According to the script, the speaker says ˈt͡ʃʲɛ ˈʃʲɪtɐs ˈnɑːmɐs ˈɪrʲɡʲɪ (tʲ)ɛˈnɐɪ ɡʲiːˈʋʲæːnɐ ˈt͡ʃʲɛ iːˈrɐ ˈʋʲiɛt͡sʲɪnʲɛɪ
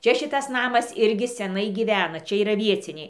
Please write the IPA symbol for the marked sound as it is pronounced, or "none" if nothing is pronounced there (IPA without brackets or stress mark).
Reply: sʲ